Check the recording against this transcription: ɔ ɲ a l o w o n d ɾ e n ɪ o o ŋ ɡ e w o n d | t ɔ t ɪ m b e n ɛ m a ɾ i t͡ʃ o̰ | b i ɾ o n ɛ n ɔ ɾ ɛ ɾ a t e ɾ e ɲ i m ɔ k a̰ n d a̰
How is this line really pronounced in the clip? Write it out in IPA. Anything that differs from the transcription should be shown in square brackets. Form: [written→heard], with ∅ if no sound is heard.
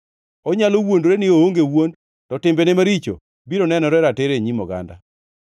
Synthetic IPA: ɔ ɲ a l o w o n d ɾ e n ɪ o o ŋ ɡ e w o n d | t ɔ t ɪ m b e n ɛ m a ɾ i t͡ʃ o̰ | b i ɾ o n ɛ n ɔ ɾ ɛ ɾ a t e ɾ e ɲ i m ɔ [k→ɡ] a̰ n d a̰